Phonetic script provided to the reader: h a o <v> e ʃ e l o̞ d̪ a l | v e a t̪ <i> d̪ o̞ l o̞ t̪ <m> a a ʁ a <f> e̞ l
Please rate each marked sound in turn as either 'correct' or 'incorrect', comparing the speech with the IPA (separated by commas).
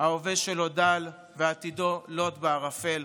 correct, correct, incorrect, correct